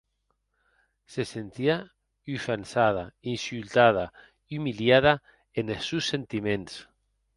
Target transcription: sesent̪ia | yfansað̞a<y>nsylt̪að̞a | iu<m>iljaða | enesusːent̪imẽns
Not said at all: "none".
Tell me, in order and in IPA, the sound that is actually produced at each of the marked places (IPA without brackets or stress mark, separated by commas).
i, m